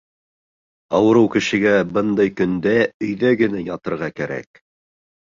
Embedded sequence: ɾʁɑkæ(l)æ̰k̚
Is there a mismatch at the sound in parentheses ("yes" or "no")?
yes